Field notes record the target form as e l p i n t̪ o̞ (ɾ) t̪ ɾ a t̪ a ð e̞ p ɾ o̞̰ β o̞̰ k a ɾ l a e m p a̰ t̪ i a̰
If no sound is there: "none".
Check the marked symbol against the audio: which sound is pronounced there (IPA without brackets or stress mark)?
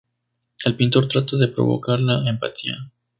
ɾ